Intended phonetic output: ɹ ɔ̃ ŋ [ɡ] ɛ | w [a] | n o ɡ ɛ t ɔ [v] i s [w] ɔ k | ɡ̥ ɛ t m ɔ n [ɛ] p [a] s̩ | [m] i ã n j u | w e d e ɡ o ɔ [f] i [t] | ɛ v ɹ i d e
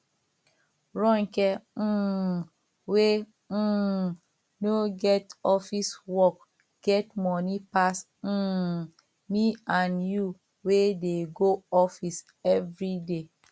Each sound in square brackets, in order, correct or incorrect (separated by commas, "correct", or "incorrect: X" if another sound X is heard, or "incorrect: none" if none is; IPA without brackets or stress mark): incorrect: k, incorrect: e, incorrect: f, correct, incorrect: i, correct, correct, correct, incorrect: s